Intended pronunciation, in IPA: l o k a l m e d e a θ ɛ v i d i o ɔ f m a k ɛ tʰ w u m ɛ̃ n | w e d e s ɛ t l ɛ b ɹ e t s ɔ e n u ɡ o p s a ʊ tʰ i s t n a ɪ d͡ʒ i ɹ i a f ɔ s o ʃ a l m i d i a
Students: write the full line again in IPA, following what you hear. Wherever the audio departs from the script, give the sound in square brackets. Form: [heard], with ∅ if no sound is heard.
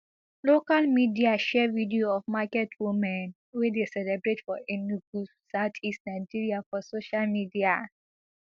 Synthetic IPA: l o k a l m [i] d [i] a [ʃ] ɛ v i d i o ɔ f m a k ɛ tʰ w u m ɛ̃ n | w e d e s ɛ [∅] l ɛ b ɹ e t [f] ɔ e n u ɡ [u] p s a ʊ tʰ i s t n a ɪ d͡ʒ i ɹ i a f ɔ s o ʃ a l m i d i a